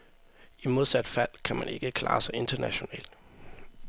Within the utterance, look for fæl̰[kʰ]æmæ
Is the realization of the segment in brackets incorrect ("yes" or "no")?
no